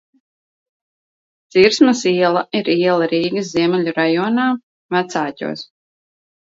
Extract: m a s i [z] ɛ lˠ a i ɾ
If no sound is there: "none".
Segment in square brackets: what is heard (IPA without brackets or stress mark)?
none